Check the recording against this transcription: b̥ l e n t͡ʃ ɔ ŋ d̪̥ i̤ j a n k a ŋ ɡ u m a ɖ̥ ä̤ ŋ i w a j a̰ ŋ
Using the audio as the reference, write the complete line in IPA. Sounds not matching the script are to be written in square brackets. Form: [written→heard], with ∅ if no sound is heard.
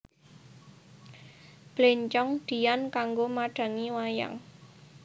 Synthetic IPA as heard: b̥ l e [n→ɲ] t͡ʃ ɔ ŋ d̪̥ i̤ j a n k a ŋ ɡ [u→o] m a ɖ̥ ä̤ ŋ i w a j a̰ ŋ